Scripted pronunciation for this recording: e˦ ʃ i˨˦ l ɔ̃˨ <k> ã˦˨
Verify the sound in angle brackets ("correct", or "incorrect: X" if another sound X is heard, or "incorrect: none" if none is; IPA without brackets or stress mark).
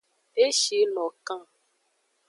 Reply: correct